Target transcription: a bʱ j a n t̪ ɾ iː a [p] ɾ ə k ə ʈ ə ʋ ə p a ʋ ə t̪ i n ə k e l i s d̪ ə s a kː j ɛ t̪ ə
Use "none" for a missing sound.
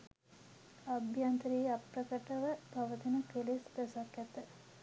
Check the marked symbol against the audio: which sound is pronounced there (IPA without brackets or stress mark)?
p